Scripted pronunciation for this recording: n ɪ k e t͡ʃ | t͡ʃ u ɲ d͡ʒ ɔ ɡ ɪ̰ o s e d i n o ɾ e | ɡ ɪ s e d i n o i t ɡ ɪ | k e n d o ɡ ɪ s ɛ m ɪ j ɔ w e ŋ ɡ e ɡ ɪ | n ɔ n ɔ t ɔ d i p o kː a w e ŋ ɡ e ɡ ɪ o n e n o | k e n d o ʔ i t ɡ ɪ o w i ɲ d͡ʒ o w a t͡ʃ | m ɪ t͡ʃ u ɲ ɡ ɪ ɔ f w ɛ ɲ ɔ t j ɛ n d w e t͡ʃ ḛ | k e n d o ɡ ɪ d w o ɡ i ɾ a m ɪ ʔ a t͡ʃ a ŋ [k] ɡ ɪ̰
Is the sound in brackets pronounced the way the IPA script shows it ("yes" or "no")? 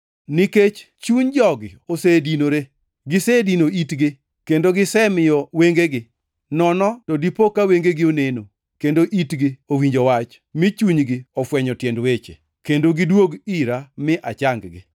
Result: no